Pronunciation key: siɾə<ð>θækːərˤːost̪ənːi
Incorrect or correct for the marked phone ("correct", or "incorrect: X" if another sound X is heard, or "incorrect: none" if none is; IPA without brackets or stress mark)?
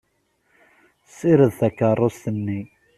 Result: correct